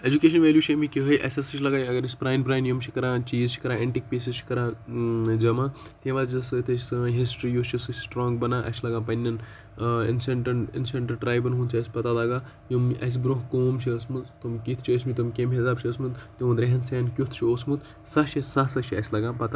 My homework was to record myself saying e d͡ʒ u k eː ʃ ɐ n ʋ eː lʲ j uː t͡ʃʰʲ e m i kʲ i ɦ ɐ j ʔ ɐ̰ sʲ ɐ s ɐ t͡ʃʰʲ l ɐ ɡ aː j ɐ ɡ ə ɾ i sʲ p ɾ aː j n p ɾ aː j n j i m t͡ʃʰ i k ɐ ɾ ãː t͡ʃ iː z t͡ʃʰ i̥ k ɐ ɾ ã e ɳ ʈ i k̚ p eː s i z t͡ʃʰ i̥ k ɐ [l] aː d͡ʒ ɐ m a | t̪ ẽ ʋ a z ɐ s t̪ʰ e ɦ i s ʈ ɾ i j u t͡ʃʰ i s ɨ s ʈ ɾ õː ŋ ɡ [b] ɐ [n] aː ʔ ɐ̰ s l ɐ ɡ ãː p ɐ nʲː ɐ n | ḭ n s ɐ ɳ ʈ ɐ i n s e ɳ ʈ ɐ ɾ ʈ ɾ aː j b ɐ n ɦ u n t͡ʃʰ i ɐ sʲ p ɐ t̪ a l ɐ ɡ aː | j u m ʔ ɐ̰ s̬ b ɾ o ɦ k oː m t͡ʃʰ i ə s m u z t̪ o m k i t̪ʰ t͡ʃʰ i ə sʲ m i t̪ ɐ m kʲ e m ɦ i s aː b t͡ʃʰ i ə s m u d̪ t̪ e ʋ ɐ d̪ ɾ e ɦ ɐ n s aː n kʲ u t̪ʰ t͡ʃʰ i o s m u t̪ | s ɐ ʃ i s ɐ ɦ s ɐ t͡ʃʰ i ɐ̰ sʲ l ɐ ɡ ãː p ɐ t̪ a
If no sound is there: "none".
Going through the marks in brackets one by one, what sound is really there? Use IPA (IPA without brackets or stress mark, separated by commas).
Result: ɾ, b, n